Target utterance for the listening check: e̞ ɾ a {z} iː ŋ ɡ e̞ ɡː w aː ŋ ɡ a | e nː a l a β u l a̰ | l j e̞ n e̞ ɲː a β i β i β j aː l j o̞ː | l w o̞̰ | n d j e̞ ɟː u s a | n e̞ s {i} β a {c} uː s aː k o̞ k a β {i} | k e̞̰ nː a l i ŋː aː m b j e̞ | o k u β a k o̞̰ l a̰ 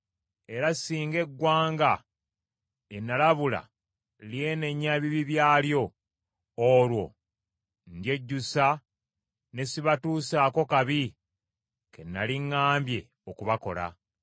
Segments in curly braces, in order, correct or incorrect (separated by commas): incorrect, correct, incorrect, correct